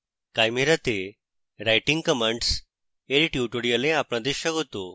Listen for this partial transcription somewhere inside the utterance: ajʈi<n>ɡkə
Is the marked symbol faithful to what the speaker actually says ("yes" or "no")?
no